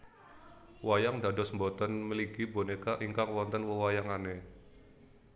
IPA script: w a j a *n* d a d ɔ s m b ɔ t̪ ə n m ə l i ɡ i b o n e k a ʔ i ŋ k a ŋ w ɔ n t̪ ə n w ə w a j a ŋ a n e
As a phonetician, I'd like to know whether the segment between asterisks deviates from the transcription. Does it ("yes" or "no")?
yes